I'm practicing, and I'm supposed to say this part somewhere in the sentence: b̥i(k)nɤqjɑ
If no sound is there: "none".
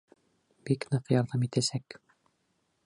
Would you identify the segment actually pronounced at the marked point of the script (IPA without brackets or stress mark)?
k